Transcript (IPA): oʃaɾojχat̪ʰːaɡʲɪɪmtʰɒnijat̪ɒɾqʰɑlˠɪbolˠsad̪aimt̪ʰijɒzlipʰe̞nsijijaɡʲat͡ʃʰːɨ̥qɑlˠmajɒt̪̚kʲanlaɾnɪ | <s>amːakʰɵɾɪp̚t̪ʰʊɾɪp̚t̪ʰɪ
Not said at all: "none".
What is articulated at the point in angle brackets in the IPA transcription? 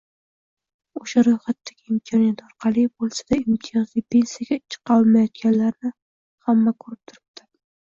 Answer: h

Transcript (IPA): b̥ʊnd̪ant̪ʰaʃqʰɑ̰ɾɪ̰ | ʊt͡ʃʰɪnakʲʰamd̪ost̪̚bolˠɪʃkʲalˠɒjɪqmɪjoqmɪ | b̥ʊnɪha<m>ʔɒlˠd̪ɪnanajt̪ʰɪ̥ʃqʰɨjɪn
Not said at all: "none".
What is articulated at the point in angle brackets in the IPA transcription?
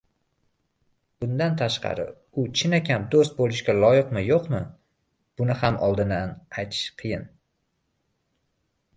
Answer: m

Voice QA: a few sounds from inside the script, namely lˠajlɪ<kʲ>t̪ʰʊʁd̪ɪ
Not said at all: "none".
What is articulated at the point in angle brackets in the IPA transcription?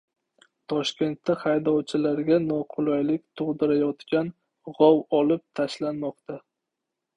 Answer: kʲ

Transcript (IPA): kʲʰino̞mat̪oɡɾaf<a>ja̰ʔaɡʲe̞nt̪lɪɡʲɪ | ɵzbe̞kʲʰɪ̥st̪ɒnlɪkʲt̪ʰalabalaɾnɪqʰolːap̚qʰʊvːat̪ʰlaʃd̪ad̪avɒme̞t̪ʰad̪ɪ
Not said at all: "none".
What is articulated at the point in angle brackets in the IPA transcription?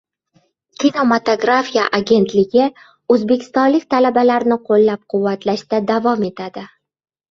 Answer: i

